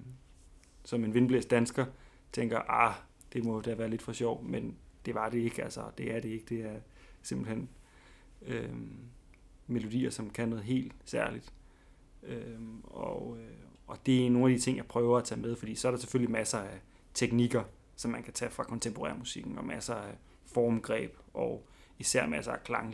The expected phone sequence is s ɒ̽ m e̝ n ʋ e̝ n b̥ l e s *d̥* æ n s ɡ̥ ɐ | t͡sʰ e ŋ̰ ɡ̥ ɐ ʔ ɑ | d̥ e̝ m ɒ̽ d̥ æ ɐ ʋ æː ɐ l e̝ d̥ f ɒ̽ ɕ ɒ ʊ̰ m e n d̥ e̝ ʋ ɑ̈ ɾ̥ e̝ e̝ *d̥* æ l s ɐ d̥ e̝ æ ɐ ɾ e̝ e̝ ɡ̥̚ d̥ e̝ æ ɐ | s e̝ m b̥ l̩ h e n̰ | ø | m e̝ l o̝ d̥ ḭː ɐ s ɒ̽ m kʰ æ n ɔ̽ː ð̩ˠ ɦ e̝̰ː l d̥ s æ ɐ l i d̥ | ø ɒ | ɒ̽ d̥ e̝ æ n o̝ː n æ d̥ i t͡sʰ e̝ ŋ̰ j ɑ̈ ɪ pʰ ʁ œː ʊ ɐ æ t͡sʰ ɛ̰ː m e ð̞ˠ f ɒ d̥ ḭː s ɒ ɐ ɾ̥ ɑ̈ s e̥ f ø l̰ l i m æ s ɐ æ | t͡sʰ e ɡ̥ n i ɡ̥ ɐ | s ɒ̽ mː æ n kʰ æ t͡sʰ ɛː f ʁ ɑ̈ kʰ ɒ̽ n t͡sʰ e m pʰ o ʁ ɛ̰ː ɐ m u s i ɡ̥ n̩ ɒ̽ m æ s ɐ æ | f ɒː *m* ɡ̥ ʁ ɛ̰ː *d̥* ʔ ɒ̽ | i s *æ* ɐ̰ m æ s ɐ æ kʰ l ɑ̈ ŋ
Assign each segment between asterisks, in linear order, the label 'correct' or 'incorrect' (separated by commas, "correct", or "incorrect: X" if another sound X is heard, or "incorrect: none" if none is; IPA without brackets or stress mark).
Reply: correct, incorrect: ɡ̥, correct, incorrect: b̥, correct